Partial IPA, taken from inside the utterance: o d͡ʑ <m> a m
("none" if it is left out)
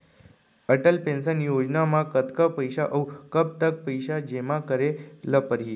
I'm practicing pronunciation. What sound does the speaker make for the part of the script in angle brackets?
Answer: n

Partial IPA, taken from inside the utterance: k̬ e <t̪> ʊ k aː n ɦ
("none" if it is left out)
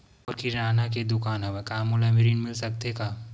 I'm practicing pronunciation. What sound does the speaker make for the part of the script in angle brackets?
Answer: d̪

